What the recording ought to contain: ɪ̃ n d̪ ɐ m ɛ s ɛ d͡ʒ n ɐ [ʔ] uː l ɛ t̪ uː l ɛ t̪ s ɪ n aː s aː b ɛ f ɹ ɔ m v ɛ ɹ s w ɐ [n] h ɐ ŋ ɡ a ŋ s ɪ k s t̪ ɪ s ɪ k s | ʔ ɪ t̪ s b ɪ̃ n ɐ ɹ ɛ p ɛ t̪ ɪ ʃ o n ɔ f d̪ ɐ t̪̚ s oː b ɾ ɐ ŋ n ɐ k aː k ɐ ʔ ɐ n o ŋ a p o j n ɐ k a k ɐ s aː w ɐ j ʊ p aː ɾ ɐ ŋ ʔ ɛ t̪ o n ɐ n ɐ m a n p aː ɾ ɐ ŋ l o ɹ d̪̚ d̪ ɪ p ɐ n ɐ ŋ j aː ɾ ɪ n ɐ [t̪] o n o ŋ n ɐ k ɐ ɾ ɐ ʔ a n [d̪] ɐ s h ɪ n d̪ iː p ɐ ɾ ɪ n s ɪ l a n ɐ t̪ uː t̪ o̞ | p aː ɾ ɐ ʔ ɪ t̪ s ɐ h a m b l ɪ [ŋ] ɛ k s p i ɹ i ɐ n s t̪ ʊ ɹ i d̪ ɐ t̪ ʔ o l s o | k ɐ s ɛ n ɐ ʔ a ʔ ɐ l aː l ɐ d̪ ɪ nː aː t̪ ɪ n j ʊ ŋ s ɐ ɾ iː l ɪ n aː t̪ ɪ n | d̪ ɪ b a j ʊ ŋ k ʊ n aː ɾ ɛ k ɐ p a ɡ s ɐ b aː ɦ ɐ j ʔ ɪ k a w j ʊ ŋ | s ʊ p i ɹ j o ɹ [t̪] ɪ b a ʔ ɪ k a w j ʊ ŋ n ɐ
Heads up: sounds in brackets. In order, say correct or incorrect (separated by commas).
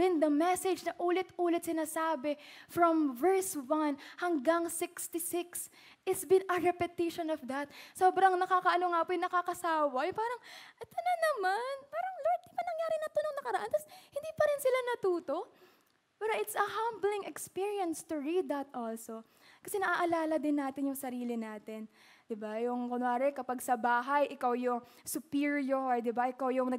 correct, correct, correct, incorrect, correct, incorrect